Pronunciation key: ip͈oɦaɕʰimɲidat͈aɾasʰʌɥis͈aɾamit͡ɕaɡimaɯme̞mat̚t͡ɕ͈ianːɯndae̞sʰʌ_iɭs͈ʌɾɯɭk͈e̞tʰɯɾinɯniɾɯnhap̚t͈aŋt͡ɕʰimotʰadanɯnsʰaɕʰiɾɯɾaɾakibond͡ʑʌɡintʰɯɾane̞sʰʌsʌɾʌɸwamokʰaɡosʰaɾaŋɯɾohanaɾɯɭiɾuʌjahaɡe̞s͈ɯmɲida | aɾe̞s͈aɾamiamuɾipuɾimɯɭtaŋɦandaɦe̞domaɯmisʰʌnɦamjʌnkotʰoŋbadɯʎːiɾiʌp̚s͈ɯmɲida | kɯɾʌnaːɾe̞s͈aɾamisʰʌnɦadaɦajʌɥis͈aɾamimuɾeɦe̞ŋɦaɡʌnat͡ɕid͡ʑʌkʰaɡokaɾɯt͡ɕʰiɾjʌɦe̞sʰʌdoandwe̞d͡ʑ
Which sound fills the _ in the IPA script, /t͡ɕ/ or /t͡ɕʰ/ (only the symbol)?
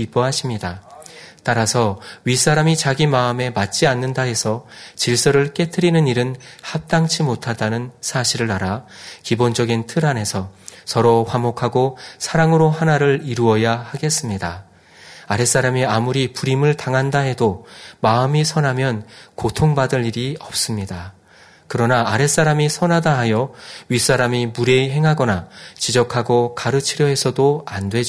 t͡ɕ